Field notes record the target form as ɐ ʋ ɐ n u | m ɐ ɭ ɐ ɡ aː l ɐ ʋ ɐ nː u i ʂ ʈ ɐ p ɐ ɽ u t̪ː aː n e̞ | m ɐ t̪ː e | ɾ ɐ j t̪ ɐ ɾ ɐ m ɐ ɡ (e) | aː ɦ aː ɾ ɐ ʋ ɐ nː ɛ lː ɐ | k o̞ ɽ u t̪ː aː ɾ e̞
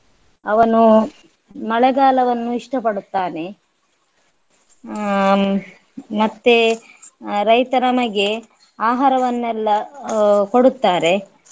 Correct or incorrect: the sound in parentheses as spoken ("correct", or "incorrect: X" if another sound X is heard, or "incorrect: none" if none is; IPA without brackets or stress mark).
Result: correct